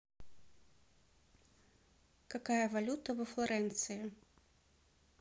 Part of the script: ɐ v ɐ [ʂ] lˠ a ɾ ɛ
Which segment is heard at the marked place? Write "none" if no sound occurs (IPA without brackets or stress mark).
f